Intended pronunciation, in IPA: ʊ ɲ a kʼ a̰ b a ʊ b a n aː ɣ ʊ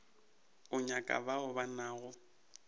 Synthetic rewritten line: ʊ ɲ a kʼ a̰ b a ʊ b a n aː ɣ ʊ